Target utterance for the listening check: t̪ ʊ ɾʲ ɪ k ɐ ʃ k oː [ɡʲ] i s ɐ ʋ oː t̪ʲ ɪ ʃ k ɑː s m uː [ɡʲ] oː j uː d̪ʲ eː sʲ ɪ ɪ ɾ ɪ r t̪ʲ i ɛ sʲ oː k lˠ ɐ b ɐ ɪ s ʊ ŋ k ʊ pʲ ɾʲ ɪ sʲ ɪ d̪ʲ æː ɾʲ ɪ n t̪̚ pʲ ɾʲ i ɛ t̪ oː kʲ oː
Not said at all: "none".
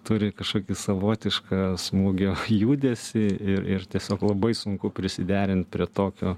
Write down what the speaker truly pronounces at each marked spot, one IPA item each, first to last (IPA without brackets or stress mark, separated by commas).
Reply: kʲ, ɡʲ